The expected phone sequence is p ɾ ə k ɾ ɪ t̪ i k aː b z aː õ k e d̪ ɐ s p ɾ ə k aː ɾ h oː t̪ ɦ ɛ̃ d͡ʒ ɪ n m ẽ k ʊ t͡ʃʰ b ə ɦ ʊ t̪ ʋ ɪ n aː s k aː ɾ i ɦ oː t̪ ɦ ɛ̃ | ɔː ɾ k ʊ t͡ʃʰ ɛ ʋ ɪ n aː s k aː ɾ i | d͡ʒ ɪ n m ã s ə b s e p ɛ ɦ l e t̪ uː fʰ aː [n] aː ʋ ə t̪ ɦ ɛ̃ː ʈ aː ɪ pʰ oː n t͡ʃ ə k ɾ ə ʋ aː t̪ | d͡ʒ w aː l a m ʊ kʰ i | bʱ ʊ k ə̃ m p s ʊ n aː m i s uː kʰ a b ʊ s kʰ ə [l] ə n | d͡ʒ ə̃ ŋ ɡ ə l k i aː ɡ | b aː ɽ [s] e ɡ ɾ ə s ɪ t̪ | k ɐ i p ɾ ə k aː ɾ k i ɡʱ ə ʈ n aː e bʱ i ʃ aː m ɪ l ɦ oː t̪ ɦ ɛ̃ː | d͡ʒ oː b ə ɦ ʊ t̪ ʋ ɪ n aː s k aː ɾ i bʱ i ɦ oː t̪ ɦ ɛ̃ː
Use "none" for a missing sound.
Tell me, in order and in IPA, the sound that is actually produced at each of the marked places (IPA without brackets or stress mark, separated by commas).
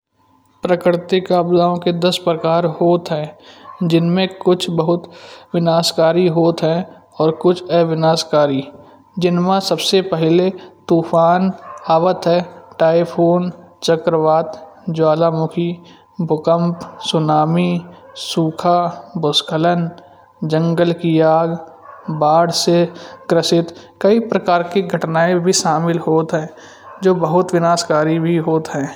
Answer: n, l, s